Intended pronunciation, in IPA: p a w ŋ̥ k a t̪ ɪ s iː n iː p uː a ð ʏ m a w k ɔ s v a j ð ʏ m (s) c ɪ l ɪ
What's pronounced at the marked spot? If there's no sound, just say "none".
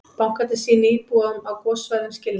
s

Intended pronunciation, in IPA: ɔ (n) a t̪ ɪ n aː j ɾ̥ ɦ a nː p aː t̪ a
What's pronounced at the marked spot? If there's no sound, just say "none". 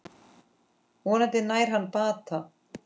n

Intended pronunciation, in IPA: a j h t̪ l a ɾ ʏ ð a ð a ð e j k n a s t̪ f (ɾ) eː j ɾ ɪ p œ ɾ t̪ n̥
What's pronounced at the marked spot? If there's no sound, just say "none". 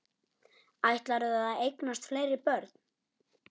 l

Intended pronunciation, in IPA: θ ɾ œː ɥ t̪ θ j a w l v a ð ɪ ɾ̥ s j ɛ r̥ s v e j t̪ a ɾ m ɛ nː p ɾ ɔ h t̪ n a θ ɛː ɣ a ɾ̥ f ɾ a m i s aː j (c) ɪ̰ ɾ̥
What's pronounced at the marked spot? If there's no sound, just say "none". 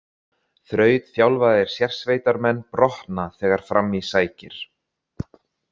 c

